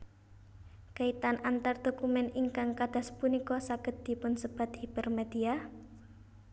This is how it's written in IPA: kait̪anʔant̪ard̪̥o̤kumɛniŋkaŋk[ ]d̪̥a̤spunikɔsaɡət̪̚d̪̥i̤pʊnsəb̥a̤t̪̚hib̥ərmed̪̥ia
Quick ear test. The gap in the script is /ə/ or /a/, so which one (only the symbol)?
a